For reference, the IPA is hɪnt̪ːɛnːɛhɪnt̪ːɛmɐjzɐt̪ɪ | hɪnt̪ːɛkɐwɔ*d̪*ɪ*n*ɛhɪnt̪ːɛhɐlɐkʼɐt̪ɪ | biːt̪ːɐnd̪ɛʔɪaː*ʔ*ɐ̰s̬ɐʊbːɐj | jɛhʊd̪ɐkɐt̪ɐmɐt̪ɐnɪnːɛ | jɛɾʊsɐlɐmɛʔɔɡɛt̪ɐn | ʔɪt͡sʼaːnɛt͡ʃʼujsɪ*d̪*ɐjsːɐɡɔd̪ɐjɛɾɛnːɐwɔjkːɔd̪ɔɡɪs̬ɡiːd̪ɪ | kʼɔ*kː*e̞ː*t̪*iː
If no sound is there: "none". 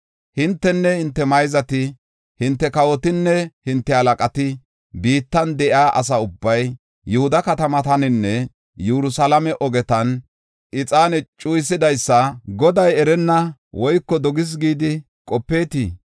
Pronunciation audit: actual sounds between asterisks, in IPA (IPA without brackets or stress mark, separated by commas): t̪, nː, ʔ, d̪, pː, t̪